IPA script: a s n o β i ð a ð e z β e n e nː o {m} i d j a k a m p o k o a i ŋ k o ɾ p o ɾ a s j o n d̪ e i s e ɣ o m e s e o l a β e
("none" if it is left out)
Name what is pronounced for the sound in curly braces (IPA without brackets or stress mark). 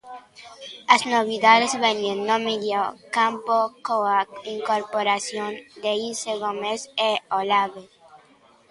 m